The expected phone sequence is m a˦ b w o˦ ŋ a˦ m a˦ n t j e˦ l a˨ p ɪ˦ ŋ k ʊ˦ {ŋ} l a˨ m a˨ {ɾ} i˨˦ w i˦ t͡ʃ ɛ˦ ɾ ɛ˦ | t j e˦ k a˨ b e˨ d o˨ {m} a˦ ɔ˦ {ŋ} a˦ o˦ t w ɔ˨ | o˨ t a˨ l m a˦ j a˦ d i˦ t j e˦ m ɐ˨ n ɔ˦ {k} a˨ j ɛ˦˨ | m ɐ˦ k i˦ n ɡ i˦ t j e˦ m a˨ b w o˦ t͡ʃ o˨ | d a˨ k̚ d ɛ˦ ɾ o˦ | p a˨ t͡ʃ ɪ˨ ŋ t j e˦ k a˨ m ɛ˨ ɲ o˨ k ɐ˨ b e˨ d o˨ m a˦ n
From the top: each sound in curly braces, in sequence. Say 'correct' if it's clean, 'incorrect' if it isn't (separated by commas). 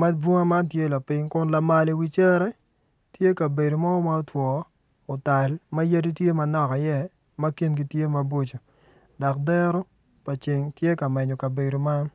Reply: incorrect, incorrect, correct, incorrect, correct